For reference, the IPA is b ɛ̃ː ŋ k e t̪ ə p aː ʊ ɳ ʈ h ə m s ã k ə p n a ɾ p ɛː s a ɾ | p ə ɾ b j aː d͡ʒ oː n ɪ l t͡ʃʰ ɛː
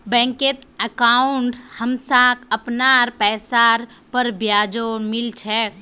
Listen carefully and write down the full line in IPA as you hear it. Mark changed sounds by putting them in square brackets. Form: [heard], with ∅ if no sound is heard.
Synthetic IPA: b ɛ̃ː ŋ k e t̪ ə [k] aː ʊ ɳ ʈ h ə m s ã k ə p n a ɾ p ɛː s a ɾ | p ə ɾ b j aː d͡ʒ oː [m] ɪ l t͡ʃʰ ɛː